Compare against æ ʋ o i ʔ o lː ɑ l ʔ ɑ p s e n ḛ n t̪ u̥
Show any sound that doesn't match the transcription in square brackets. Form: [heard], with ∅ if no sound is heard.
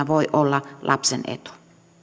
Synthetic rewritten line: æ ʋ o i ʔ o lː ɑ l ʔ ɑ p s e n ḛ [∅] t̪ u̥

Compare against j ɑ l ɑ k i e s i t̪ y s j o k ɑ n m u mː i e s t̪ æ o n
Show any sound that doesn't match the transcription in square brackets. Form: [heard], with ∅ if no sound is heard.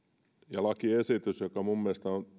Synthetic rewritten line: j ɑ l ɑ k i e s i t̪ y s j o k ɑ [∅] m u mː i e s t̪ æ o n

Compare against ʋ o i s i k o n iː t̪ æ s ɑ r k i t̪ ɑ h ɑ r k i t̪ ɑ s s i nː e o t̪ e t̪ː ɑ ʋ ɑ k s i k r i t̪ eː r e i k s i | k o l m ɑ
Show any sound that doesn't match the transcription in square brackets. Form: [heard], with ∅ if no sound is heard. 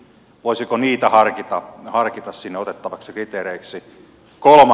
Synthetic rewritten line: ʋ o i s i k o n iː t̪ æ [h] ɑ r k i t̪ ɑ h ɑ r k i t̪ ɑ s s i nː e o t̪ e t̪ː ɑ ʋ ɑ k s i k r i t̪ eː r e i k s i | k o l m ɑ

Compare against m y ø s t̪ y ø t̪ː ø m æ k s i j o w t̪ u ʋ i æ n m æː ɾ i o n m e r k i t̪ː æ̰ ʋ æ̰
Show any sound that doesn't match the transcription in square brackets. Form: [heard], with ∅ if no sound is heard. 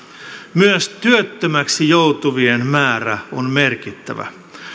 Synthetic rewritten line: m y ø s t̪ y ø t̪ː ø m æ k s i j o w t̪ u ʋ i [e] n m æː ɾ [æ] o n m e r k i t̪ː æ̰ ʋ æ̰

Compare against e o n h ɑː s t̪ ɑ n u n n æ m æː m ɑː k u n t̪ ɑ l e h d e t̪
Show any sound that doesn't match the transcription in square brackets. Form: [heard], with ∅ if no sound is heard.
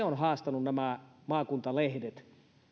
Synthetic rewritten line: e o n h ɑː s t̪ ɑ n u n n æ m [æ] m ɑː k u n t̪ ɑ l e h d e t̪

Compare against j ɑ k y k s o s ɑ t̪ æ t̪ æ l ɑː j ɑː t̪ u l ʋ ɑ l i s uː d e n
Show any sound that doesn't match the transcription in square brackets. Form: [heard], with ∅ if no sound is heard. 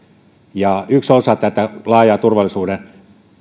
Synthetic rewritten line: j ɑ [∅] y k s o s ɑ t̪ æ t̪ æ l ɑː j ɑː t̪ u [r] ʋ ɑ l i s uː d e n

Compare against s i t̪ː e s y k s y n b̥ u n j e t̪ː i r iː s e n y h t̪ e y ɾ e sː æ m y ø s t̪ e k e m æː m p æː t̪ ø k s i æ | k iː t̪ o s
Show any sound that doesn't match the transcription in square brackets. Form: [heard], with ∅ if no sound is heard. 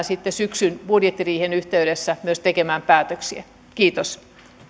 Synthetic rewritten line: s i t̪ː e s y k s y n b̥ u [d] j e t̪ː i r iː [h] e n y h t̪ e y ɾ e sː æ m y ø s t̪ e k e m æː m p æː t̪ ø k s i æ | k iː t̪ o s

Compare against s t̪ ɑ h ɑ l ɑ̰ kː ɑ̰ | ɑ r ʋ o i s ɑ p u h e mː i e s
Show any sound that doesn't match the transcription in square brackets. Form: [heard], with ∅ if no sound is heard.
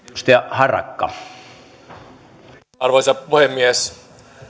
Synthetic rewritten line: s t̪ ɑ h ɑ [r] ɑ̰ kː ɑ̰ | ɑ r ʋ o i s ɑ p u h e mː i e s

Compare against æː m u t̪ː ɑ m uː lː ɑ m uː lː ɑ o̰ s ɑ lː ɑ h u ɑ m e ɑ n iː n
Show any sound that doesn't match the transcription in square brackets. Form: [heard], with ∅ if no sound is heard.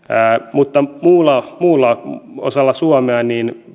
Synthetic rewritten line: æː m u t̪ː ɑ m uː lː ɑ m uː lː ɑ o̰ s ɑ lː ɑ [s] u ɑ m e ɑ n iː n

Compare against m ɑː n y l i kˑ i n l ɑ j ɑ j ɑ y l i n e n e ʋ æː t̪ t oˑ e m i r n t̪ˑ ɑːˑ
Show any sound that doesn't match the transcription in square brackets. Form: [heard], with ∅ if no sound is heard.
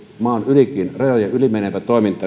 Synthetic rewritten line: m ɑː n y l i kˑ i n [r] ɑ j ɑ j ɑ y l i [m] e n e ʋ [æ] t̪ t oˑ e m i [∅] n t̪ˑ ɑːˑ

